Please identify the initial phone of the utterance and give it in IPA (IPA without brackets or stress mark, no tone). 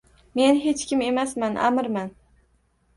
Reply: m